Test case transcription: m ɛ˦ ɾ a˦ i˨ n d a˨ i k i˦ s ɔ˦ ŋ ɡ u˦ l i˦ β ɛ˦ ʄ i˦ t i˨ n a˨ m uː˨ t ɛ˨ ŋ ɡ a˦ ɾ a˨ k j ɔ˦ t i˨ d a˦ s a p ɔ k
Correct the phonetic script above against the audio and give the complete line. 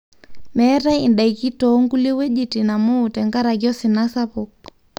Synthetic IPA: m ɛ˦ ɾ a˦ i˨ n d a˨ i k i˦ t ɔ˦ ŋ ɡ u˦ l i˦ w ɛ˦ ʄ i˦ t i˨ n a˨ m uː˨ t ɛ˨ ŋ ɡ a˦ ɾ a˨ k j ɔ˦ s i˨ n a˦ s a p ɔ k